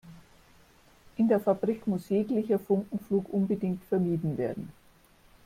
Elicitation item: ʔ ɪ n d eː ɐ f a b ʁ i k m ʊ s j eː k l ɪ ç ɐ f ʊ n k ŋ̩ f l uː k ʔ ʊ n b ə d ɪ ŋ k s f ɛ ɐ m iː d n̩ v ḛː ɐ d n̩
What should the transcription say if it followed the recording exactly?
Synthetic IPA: ʔ ɪ n d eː ɐ f a b ʁ i k m ʊ s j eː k l ɪ ç ɐ f ʊ ŋ k ŋ̩ f l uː k ʔ ʊ n b ə d ɪ ŋ k t f ɛ ɐ m iː d n̩ v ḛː ɐ d n̩